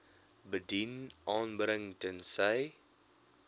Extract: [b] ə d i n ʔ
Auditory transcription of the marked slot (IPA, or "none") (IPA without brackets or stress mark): b